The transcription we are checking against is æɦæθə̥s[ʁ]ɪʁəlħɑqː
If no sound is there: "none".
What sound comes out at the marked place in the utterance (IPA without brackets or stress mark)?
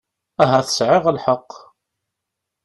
ʕ